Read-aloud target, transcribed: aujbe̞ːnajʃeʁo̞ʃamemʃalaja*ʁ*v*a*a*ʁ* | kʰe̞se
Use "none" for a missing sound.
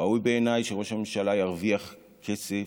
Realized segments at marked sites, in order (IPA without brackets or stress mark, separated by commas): ʁ, i, χ